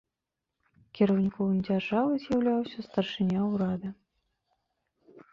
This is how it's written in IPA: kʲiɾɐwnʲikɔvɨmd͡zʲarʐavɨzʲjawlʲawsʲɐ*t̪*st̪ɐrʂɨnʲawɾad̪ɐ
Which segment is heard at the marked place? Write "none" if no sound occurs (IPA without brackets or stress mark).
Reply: none